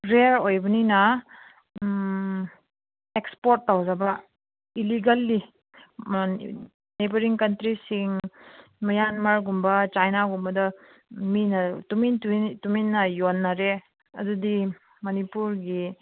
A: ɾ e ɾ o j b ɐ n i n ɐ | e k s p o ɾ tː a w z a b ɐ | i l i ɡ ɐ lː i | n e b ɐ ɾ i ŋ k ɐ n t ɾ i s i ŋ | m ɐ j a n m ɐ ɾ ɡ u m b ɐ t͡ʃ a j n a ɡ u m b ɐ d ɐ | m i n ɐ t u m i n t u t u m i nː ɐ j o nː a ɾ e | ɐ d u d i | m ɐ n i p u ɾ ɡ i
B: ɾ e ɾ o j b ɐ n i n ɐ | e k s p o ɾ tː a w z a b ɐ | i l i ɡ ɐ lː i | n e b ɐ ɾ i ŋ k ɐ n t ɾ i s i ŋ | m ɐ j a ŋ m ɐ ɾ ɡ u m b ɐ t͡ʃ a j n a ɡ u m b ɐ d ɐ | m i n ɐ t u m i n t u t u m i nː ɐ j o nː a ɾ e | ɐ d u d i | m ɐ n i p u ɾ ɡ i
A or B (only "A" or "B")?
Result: A